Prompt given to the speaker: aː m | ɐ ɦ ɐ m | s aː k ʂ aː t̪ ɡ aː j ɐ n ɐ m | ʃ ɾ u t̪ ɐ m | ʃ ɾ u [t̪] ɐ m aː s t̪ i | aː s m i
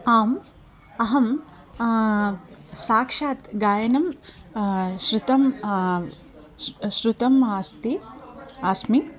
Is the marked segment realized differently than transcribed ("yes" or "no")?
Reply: no